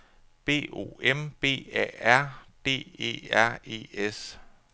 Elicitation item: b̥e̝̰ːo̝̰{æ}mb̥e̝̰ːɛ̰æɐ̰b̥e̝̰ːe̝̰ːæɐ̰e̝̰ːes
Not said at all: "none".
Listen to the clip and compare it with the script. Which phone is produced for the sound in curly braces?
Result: e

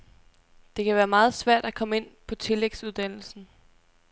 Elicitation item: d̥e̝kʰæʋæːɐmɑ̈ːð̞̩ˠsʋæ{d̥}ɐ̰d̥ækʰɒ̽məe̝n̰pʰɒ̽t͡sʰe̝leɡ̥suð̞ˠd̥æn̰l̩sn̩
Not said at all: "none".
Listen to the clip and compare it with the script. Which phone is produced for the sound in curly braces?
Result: none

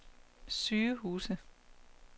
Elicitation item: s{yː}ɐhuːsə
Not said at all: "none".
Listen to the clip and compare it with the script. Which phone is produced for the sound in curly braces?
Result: yː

